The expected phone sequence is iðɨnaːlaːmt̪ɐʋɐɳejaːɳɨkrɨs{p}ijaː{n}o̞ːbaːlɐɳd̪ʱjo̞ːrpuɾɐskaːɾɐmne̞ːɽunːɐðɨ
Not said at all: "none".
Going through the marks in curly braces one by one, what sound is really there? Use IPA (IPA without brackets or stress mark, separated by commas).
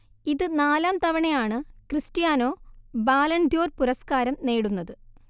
t, n